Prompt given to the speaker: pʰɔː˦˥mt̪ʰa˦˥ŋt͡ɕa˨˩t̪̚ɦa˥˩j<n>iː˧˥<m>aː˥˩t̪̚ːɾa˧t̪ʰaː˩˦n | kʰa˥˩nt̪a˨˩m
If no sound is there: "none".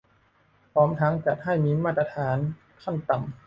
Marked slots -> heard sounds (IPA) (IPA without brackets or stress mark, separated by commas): m, m